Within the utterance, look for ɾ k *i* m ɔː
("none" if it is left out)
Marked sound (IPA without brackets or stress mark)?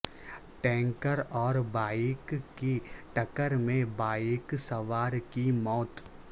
i